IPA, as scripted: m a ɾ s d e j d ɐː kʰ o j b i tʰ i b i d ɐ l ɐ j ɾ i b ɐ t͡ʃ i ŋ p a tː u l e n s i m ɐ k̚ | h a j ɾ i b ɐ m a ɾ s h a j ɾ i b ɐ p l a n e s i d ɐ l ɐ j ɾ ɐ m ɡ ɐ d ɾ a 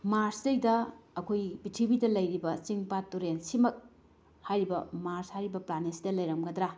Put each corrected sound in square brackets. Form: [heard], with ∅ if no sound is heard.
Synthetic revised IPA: m a ɾ s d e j d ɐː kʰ o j b i tʰ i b i d ɐ l ɐ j ɾ i b ɐ t͡ʃ i ŋ p a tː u [ɾ] e n s i m ɐ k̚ | h a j ɾ i b ɐ m a ɾ s h a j ɾ i b ɐ p l a n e s i d ɐ l ɐ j ɾ ɐ m ɡ ɐ d ɾ a

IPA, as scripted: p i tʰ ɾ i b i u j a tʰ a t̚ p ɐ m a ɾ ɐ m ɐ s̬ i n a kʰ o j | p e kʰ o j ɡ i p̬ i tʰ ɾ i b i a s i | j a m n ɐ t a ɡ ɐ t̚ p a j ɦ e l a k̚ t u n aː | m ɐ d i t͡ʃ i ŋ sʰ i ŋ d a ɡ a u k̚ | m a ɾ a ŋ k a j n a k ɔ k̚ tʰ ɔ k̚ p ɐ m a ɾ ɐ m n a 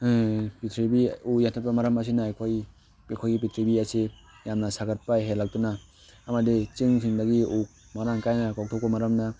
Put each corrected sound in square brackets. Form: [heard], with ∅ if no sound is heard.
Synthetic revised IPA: p i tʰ ɾ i b i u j a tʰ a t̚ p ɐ m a ɾ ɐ m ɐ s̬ i n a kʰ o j | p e kʰ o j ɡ i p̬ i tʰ ɾ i b i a s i | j a m n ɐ [s] a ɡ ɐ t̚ p a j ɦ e l a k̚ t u n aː | m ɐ d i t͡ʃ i ŋ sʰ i ŋ d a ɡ [i] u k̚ | m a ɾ a ŋ k a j n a k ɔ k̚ tʰ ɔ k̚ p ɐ m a ɾ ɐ m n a

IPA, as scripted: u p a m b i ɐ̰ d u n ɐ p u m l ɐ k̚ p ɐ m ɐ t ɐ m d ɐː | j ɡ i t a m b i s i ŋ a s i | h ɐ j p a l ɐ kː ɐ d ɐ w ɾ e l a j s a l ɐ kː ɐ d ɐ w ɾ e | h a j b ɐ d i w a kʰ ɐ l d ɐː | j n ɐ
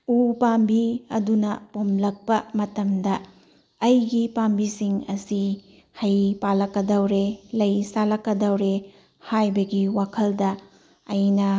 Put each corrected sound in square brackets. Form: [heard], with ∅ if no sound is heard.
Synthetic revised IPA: u p a m b i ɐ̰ d u n ɐ p [o] m l ɐ k̚ p ɐ m ɐ t ɐ m d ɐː | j ɡ i [p] a m b i s i ŋ [ɐ] s i | h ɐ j p a l ɐ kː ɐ d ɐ w ɾ e l [ɐ] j s a l ɐ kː ɐ d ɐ w ɾ e | h a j b ɐ [ɡ] i w a kʰ ɐ l d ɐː | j n ɐ

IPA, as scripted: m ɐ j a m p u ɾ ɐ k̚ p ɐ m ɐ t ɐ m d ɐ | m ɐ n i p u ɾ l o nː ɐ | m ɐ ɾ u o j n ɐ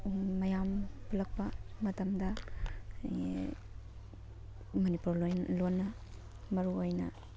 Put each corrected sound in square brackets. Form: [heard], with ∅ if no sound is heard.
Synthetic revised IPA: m ɐ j a m p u [l] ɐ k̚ p ɐ m ɐ t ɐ m d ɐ | m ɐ n i p u ɾ l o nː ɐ | m ɐ ɾ u o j n ɐ

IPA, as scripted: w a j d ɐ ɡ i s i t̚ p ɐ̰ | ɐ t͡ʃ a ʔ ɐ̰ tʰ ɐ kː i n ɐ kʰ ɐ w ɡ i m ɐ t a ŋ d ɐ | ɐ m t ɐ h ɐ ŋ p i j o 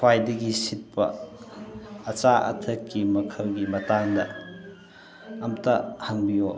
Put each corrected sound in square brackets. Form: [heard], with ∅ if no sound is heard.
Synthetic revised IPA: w a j d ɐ ɡ i s i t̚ p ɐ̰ | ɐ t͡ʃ a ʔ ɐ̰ tʰ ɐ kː i [m] ɐ kʰ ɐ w ɡ i m ɐ t a ŋ d ɐ | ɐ m t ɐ h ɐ ŋ [b] i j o

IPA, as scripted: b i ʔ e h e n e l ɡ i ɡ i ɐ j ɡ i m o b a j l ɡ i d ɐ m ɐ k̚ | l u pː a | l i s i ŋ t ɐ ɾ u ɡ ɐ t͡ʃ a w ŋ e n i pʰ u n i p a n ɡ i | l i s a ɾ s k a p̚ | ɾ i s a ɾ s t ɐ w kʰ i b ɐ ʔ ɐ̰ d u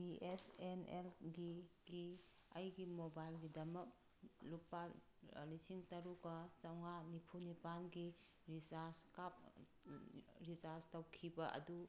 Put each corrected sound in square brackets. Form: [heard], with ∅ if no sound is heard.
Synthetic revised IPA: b i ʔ e [s] e n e l ɡ i ɡ i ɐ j ɡ i m o b a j l ɡ i d ɐ m ɐ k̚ | l u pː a | l i s i ŋ t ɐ ɾ u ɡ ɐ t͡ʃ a w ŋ [a] n i pʰ u n i p a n ɡ i | [ɾ] i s a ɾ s k a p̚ | ɾ i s a ɾ s t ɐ w kʰ i b ɐ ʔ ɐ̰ d u

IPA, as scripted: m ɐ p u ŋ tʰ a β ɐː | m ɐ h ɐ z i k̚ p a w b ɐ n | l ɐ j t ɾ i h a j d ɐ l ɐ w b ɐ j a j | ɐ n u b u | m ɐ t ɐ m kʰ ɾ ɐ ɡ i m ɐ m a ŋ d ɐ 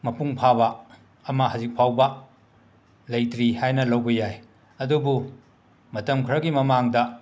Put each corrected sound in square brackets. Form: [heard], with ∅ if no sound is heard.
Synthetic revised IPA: m ɐ p u ŋ [pʰ] a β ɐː | m ɐ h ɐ z i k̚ [pʰ] a w b ɐ [∅] | l ɐ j t ɾ i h a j [n] ɐ l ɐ w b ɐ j a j | ɐ [d] u b u | m ɐ t ɐ m kʰ ɾ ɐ ɡ i m ɐ m a ŋ d ɐ

